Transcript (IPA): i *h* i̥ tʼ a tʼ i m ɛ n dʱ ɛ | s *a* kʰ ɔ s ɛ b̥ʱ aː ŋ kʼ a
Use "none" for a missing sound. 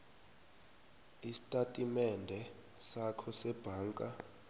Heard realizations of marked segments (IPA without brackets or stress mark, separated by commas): s, a